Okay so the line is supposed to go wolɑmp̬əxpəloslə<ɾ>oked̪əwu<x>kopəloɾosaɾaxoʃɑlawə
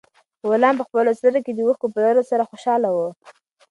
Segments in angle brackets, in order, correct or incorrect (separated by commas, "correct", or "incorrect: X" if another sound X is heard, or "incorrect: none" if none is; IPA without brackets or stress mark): correct, correct